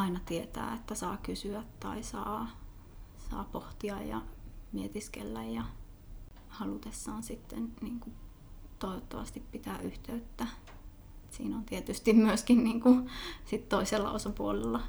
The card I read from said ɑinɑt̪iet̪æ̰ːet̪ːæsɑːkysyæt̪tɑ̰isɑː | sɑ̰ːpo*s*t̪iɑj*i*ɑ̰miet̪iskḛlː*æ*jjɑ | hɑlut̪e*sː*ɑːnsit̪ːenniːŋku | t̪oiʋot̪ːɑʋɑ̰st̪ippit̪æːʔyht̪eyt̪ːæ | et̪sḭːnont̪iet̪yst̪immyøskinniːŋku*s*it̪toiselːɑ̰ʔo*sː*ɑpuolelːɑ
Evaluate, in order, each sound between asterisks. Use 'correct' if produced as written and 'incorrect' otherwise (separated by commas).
incorrect, incorrect, correct, correct, correct, incorrect